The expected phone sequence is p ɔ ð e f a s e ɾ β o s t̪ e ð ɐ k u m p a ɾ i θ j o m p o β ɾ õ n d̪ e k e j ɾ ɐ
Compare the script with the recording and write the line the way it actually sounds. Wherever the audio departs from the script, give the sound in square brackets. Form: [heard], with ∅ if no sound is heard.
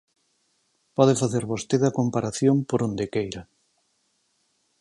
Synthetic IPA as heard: p ɔ ð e f a [θ] e ɾ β o s t̪ e ð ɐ k [o] m p a ɾ [a] θ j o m p o [∅] ɾ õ n d̪ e k e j ɾ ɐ